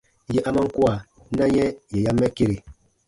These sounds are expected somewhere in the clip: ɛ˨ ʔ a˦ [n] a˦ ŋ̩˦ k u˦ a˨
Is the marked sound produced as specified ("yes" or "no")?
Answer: no